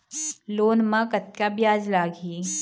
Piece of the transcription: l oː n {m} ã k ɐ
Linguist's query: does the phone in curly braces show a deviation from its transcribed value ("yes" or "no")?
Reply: no